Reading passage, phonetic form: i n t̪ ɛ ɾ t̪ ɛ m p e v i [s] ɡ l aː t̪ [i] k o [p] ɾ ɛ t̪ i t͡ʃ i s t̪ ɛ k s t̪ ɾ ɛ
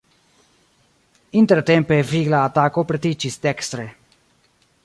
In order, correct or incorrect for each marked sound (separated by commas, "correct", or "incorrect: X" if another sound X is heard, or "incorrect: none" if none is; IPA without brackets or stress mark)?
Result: incorrect: none, incorrect: a, correct